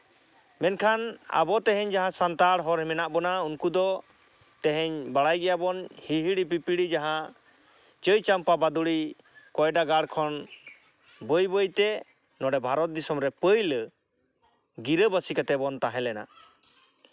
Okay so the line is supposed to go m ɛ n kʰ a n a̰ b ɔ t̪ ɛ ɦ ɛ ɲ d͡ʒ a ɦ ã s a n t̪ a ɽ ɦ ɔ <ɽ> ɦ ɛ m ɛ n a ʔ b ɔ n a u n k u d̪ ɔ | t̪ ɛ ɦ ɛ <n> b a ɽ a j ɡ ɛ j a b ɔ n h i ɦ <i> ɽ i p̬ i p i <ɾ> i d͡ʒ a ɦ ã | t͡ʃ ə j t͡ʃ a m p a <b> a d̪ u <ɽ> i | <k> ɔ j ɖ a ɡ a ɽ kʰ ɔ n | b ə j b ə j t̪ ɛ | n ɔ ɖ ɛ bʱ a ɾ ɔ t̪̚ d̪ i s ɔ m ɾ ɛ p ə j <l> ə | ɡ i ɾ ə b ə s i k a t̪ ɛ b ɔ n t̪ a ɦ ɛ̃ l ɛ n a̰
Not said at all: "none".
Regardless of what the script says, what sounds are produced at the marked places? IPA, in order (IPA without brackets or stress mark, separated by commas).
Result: ɾ, ɲ, i, ɽ, b, ɽ, k, l